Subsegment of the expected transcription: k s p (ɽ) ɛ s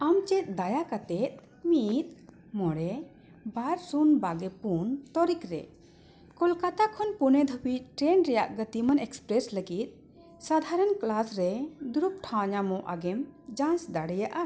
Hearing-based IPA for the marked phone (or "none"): ɾ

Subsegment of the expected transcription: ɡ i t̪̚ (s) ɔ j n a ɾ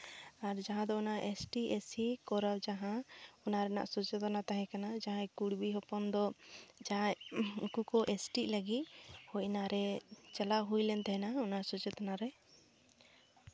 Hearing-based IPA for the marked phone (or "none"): h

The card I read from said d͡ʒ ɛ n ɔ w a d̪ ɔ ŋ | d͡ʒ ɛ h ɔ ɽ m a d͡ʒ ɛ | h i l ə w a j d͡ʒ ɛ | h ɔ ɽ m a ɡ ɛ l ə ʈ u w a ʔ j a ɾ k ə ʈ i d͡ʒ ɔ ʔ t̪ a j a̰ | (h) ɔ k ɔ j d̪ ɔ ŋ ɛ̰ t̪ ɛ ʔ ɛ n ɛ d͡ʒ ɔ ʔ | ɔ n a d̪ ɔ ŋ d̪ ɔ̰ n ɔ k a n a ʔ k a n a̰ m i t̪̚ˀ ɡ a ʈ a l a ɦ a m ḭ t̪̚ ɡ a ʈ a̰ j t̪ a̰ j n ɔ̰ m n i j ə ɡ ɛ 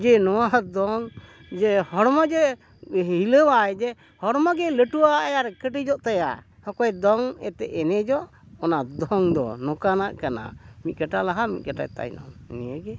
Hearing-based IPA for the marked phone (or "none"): h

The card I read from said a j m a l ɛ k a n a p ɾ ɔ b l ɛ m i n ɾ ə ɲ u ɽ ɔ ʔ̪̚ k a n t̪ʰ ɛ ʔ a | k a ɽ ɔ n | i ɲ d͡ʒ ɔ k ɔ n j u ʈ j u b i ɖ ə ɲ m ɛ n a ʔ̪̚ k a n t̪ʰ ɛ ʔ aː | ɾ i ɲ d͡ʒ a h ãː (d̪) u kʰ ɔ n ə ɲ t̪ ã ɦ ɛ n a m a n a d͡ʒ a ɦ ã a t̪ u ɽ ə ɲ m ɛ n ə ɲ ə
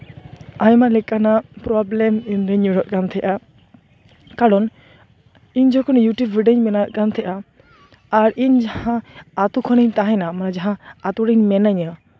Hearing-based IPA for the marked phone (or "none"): t̪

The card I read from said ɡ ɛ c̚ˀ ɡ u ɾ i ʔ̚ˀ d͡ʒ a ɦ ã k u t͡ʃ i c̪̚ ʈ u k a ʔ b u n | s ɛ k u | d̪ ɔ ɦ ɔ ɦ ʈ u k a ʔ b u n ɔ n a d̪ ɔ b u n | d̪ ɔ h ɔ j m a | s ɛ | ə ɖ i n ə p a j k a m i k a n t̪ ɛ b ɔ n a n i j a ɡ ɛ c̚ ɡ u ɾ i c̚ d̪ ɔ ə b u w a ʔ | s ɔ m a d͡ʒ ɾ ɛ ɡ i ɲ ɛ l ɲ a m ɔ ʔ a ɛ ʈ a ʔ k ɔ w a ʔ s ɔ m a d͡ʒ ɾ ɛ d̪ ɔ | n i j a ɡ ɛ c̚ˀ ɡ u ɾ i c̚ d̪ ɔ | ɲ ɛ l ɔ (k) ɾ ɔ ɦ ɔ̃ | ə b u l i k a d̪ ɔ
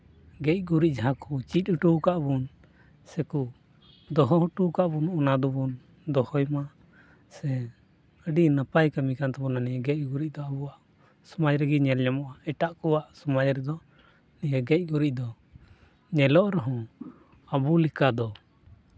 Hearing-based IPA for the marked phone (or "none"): ʔ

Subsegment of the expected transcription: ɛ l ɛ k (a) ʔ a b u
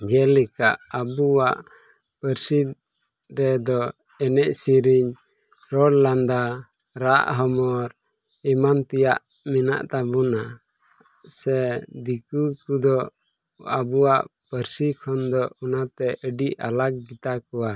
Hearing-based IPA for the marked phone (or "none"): a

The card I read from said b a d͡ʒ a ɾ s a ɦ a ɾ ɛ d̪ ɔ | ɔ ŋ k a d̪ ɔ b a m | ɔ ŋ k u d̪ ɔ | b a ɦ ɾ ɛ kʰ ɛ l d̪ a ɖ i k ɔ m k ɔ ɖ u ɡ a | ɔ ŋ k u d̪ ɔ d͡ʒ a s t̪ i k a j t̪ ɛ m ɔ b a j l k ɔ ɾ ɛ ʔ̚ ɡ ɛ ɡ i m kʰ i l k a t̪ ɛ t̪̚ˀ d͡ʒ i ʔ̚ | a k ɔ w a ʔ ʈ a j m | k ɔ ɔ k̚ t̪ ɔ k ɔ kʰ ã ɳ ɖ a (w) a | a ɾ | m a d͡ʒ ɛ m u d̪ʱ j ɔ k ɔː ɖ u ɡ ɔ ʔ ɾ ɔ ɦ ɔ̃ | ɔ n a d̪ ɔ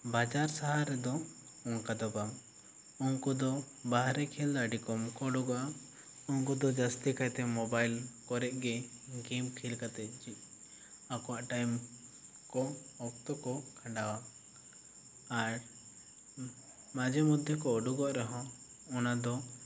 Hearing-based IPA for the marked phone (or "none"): w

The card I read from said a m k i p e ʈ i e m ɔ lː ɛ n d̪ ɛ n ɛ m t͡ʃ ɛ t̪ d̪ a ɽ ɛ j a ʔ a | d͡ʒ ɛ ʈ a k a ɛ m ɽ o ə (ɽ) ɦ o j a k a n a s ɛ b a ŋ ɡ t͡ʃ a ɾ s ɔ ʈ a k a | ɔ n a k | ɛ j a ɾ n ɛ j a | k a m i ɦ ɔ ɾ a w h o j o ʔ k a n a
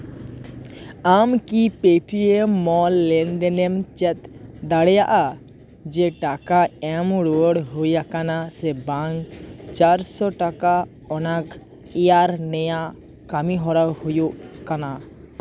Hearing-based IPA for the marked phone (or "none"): ɽ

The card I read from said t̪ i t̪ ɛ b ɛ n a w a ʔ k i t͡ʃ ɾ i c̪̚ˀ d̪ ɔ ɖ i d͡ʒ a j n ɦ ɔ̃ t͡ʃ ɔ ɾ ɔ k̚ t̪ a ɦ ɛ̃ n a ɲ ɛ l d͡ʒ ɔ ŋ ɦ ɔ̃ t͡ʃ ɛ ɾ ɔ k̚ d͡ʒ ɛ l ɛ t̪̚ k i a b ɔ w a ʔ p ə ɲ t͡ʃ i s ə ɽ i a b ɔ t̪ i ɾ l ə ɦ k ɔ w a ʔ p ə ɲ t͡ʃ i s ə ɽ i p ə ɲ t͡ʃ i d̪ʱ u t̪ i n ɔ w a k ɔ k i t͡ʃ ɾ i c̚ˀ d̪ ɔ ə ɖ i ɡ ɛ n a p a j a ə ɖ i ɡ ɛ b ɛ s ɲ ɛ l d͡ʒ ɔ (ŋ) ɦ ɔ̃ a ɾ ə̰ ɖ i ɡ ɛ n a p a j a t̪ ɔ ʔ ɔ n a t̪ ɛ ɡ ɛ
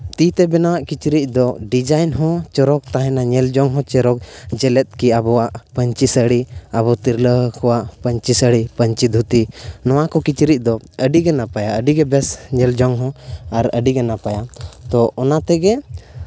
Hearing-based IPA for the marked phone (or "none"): ŋ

